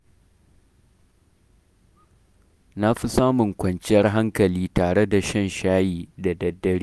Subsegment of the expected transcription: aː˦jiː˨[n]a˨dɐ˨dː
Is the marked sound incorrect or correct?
incorrect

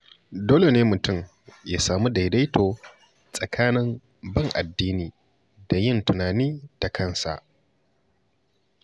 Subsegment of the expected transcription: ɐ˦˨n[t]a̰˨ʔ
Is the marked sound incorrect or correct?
incorrect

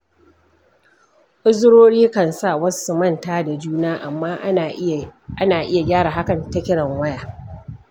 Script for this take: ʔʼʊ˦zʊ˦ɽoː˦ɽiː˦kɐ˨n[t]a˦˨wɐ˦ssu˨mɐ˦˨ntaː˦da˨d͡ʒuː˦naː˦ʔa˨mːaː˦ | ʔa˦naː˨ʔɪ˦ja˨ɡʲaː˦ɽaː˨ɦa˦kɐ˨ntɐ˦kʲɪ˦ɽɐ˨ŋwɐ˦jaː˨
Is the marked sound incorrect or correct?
incorrect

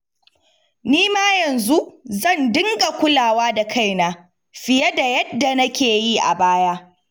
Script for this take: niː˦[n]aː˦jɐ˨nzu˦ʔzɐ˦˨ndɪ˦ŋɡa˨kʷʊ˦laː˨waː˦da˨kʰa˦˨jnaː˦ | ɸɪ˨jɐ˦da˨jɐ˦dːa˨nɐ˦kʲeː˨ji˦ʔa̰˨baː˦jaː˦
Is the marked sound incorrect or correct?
incorrect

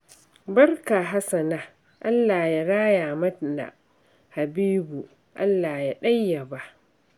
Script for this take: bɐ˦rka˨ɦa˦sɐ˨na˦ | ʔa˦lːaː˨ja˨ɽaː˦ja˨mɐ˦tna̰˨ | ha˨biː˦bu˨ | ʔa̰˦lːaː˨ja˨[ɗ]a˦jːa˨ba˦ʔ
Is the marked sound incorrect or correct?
correct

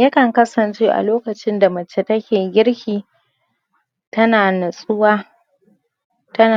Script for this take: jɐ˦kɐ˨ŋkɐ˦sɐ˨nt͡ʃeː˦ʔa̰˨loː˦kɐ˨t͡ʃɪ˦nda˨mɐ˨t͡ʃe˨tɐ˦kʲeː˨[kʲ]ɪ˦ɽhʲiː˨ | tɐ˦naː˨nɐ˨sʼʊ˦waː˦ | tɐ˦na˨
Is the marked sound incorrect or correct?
incorrect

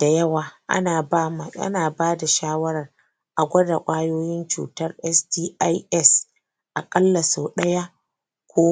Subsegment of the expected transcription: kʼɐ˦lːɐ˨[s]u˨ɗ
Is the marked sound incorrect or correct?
correct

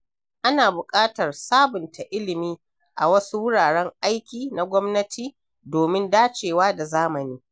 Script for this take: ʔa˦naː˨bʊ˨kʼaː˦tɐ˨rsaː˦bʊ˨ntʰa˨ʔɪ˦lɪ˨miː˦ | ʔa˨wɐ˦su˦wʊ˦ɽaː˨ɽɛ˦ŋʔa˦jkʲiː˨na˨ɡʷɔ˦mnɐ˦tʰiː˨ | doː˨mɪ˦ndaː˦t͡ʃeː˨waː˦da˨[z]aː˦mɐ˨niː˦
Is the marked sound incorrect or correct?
correct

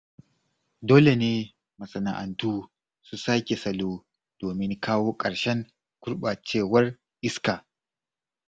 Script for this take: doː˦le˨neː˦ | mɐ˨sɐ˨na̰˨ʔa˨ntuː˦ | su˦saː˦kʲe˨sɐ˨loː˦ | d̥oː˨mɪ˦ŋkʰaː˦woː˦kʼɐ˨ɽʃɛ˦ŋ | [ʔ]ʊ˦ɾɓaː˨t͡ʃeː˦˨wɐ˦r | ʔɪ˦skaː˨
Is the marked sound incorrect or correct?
incorrect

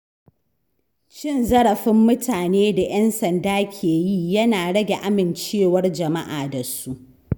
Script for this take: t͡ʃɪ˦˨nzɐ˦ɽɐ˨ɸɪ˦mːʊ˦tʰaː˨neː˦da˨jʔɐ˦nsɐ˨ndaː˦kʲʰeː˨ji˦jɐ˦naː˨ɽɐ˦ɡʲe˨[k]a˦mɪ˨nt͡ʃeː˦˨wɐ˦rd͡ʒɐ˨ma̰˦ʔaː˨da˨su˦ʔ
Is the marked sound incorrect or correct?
incorrect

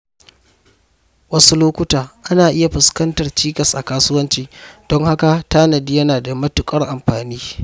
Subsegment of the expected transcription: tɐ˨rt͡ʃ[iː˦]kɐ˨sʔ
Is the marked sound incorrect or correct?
correct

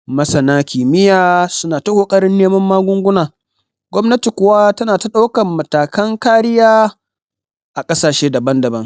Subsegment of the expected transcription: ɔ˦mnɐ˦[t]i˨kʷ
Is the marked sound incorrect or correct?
correct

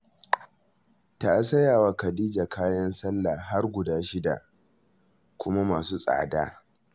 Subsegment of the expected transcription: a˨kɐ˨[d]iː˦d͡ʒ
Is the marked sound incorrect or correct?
correct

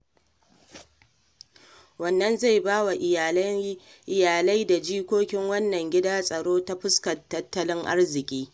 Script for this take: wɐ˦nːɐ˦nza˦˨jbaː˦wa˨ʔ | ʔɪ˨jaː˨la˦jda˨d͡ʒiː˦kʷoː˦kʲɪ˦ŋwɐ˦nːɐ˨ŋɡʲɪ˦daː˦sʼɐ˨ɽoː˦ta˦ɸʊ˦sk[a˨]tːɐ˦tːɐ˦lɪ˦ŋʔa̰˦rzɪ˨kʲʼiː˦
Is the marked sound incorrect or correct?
incorrect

